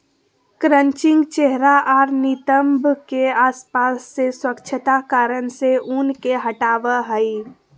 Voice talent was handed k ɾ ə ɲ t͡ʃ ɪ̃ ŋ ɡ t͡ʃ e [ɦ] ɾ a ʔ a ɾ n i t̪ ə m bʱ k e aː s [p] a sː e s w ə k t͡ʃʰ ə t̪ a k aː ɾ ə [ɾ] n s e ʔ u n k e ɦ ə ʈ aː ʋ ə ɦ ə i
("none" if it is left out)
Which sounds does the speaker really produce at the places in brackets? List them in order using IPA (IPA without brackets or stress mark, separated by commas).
ɦ, p, none